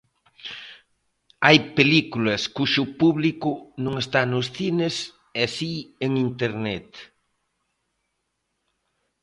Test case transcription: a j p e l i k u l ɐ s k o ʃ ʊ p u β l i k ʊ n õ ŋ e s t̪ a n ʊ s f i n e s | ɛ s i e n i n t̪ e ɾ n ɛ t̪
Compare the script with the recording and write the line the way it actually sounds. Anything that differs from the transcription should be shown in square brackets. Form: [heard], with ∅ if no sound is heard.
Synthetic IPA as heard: a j p e l i k u l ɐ s k [u] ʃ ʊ p u β l i k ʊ n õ ŋ e s t̪ a n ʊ s [θ] i n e s | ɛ s i e [ŋ] i n t̪ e ɾ n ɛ t̪